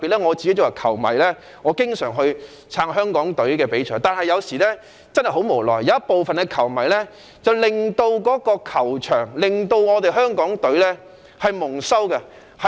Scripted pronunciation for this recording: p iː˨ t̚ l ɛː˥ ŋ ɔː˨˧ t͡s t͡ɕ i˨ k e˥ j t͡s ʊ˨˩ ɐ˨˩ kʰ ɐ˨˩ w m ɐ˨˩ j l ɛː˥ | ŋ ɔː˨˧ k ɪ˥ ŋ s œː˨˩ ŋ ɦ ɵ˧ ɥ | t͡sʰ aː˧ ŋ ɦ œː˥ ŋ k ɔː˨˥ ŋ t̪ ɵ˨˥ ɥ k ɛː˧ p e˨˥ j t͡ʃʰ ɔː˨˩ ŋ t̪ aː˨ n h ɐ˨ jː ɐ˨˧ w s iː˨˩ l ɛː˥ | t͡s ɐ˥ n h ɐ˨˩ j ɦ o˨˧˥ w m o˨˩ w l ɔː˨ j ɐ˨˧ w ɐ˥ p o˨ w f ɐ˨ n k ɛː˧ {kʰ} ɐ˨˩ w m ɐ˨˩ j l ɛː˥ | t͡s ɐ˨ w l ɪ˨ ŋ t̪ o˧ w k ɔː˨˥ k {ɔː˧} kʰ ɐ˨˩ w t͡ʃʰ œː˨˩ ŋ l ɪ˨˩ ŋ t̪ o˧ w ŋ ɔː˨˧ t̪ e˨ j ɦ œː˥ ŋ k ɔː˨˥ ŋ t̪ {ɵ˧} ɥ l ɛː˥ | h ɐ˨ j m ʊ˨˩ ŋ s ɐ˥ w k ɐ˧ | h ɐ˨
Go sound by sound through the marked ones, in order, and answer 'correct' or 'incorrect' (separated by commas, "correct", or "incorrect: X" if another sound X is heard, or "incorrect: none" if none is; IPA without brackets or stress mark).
correct, correct, incorrect: ɵ˨˥